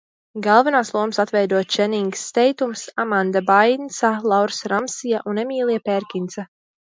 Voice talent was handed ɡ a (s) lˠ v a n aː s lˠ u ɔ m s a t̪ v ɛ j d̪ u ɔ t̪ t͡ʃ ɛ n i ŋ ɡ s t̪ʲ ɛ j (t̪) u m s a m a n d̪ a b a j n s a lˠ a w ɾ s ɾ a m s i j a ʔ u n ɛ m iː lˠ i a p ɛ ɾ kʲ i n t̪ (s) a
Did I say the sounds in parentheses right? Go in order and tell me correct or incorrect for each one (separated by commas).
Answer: incorrect, correct, correct